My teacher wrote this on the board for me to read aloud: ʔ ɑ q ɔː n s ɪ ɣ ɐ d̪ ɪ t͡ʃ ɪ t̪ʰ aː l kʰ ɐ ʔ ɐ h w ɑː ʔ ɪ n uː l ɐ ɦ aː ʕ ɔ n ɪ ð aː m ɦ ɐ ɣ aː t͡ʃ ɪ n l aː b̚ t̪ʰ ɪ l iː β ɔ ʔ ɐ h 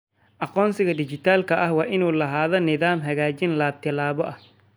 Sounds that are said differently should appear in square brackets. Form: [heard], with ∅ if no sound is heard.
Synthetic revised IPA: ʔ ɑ q ɔː n s ɪ ɣ ɐ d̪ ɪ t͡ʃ ɪ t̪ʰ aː l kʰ ɐ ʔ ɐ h w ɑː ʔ ɪ n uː l ɐ ɦ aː [ð] ɔ n ɪ ð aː m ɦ ɐ ɣ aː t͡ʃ ɪ n l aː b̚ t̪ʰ ɪ l [aː] β ɔ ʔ ɐ h